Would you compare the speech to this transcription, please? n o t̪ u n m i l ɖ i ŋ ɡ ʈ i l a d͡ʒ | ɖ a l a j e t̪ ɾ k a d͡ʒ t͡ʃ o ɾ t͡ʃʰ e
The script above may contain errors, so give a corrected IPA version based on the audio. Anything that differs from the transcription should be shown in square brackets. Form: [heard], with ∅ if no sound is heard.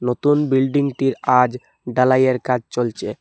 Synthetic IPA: n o t̪ u n [b] i l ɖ i ŋ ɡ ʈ i [ɾ] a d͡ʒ | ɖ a l a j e [∅] ɾ k a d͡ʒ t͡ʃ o [l] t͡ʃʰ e